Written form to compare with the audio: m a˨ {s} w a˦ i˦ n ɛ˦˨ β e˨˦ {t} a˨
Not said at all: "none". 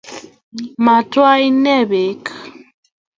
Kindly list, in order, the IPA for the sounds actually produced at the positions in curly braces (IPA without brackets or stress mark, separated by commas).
t, k